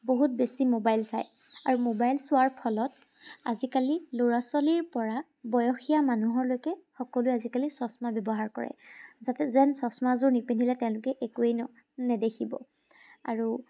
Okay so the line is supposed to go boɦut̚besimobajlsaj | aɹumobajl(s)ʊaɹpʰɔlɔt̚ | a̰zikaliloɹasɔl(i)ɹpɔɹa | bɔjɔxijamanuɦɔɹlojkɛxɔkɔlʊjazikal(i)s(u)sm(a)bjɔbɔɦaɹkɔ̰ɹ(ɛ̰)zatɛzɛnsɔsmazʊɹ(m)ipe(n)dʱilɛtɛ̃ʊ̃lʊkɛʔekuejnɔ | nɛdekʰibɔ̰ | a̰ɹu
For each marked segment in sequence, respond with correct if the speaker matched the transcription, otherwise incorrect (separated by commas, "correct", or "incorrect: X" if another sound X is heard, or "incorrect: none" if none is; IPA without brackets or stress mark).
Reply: correct, correct, correct, incorrect: ɔ, correct, correct, incorrect: n, correct